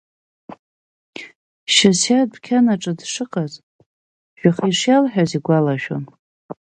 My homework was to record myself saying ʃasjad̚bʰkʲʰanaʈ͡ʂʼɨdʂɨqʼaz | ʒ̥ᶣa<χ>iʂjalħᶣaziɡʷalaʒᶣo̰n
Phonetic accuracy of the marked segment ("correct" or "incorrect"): correct